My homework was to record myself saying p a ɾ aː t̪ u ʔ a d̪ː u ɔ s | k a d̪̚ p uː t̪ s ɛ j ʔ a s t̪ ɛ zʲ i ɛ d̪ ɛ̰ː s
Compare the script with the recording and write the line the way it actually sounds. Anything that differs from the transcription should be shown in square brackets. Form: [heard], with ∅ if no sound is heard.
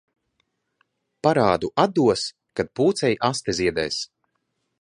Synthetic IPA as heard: p a ɾ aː [d̪] u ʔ a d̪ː u ɔ s | k a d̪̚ p uː t̪ s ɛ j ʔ a s t̪ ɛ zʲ i ɛ d̪ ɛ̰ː s